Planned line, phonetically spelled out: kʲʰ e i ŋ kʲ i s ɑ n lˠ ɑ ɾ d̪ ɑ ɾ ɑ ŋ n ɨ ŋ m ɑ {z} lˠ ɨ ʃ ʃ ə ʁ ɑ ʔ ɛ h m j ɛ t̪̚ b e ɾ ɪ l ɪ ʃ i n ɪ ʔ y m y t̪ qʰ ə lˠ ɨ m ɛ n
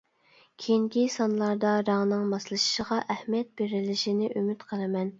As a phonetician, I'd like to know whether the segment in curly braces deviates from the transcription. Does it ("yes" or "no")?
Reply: yes